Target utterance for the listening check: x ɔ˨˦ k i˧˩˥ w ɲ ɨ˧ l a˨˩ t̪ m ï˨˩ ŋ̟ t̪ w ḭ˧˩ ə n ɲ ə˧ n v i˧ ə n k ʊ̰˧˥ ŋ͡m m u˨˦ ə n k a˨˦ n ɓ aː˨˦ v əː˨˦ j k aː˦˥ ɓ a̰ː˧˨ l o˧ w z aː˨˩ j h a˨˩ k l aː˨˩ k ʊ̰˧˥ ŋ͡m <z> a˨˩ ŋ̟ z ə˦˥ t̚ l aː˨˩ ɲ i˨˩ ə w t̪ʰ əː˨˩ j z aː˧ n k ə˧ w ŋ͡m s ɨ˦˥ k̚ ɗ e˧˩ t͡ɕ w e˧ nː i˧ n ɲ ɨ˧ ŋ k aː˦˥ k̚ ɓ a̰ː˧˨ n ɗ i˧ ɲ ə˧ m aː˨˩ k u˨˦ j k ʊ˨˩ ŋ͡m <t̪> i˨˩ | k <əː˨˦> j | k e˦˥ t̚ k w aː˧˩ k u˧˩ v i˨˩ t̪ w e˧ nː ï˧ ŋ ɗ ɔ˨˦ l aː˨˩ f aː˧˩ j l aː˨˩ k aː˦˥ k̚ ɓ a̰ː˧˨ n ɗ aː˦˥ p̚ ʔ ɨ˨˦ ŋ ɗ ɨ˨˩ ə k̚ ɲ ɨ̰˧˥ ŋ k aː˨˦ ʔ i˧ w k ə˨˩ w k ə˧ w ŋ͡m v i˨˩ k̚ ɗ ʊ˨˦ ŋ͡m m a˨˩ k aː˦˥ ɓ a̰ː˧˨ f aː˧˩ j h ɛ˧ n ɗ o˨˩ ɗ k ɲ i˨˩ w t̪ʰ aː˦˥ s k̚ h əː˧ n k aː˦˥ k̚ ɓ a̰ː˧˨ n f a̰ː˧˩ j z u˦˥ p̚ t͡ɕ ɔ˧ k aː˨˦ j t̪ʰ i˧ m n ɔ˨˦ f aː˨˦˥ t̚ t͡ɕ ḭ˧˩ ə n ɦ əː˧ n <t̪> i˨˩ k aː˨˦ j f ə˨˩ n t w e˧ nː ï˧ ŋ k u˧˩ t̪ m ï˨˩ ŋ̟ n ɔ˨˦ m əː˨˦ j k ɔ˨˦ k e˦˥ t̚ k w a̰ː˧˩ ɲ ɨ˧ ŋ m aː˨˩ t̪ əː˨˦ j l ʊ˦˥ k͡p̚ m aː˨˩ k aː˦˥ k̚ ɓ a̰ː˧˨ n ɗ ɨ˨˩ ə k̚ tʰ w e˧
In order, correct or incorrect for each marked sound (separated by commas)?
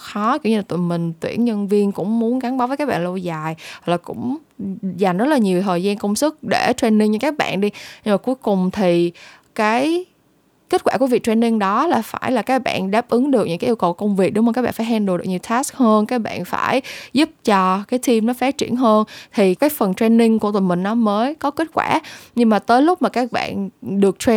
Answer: correct, incorrect, incorrect, incorrect